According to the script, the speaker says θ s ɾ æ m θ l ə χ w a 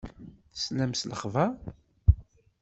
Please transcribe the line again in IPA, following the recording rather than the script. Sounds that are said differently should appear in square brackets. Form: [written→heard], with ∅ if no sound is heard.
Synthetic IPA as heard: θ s [ɾ→l] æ m [θ→s] l ə χ [w→v] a